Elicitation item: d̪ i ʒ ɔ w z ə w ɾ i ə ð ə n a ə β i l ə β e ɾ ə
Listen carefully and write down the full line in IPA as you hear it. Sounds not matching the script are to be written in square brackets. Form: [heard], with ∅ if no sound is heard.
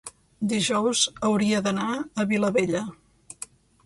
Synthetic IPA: d̪ i ʒ ɔ w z ə w ɾ i ə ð ə n a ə β i l ə β e [ʎ] ə